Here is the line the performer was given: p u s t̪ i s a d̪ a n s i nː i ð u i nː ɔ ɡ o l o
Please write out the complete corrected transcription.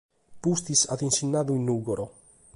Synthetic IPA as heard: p u s t̪ i s a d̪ i n s i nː a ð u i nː u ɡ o ɾ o